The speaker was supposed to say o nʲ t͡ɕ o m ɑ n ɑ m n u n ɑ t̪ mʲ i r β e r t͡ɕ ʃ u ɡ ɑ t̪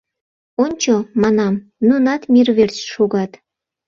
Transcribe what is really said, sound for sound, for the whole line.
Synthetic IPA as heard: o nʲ t͡ɕ o m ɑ n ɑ m n u n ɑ t̪ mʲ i r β e r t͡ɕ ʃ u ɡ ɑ t̪